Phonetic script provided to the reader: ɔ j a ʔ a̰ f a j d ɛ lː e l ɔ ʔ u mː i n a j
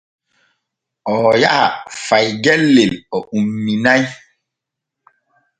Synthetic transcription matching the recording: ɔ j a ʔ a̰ f a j ɡ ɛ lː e l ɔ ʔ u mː i n a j